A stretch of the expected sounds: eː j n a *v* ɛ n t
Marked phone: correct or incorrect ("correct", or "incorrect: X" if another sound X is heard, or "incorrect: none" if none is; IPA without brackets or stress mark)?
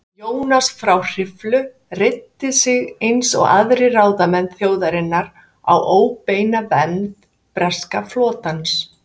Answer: correct